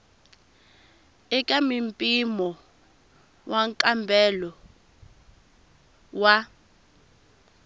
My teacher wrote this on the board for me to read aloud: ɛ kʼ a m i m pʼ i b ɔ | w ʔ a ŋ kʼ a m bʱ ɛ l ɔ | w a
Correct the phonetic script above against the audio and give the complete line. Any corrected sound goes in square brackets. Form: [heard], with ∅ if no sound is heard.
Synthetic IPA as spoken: ɛ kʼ a m i m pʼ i [m] ɔ | w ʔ a ŋ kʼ a m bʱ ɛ l ɔ | w a